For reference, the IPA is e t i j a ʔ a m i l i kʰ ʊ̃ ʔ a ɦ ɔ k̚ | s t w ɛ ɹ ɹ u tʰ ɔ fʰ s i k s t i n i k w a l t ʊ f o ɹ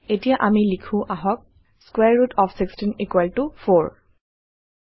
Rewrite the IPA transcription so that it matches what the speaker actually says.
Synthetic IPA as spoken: e t i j a ʔ a m i l i kʰ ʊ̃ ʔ a ɦ ɔ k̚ | s k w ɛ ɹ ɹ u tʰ ɔ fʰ s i k s t i n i k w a l t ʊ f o ɹ